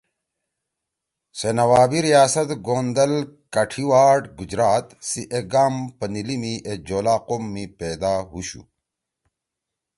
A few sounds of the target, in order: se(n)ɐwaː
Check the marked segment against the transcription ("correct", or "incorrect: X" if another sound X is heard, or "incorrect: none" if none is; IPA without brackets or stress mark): correct